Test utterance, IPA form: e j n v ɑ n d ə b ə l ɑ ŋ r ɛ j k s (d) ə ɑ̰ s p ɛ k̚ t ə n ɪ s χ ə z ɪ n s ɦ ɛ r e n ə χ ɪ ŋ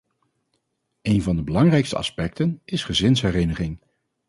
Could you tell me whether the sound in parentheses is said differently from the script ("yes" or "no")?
yes